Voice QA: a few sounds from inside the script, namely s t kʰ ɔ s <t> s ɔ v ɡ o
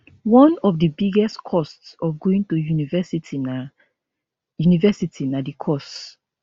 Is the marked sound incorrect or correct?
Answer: correct